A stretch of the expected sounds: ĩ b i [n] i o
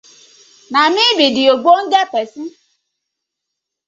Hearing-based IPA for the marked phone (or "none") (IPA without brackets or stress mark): d